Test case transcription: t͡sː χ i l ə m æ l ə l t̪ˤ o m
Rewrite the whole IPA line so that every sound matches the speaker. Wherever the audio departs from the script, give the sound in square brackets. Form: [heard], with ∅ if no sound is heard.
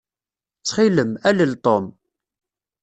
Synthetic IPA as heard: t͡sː χ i l ə m æ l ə l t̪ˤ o m